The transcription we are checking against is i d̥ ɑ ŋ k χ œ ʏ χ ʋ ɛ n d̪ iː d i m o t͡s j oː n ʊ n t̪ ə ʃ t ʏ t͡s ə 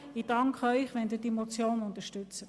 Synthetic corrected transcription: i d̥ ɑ ŋ k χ œ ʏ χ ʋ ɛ n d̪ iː d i m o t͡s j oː n ʊ n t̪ ə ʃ t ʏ t͡s ə

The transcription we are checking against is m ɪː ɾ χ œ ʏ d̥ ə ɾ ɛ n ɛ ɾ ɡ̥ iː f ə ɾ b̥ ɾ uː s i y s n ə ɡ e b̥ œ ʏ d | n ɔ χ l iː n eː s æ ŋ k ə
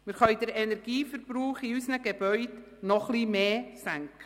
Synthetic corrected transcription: m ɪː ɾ χ œ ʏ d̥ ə ɾ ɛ n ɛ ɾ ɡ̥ iː f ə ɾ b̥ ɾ uː χ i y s n ə ɡ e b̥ œ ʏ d | n ɔ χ l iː m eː s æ ŋ k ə

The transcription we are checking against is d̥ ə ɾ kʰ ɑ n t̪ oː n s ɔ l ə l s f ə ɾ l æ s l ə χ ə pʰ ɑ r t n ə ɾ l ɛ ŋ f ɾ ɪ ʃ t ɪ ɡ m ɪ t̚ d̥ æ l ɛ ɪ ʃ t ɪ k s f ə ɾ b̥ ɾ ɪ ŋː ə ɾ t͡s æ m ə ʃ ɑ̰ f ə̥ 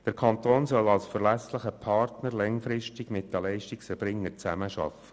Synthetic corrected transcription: d̥ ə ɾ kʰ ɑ n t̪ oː n s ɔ l ɑ l s f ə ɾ l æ s l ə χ ə pʰ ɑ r t n ə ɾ l ɛ ŋ f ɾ ɪ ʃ t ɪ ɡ m ɪ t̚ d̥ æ l ɛ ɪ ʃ t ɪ k s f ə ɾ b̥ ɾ ɪ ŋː ə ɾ t͡s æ m ə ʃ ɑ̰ f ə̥

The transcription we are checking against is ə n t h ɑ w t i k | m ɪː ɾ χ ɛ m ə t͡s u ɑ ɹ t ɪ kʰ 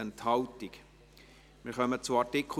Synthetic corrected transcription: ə n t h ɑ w t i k | m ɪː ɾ χ œ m ə t͡s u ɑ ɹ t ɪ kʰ

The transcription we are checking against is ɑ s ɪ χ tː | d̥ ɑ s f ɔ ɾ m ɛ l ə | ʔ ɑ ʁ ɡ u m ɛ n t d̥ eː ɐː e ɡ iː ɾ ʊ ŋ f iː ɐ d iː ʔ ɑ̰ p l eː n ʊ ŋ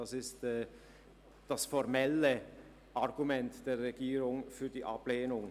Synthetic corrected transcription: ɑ s ɪ s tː | d̥ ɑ s f ɔ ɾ m ɛ l ə | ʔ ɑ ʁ ɡ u m ɛ n t d̥ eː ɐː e ɡ iː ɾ ʊ ŋ f yː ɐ d iː ʔ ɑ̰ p l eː n ʊ ŋ

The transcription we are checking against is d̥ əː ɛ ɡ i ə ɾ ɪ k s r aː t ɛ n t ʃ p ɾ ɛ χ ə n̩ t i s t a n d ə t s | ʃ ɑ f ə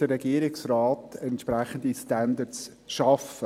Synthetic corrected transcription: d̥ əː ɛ ɡ i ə ɾ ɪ k s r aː t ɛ n t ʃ p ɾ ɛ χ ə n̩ d i s t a n d ə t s | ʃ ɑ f ə

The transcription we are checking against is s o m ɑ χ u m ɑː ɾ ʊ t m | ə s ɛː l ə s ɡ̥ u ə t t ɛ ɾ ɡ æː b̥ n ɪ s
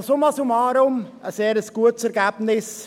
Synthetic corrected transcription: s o m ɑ s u m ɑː ɾ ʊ m | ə s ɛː ɾ ə s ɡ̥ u ə t s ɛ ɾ ɡ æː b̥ n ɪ s

